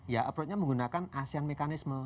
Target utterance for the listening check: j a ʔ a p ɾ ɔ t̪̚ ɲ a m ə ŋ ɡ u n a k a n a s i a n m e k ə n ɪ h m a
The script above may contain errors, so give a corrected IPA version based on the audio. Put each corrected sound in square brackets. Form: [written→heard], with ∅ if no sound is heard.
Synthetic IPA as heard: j a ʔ [a→ə] p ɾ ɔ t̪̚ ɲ a m ə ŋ ɡ u n a k a n a s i a n m e k [ə→a] n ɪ [h→s] m [a→ə]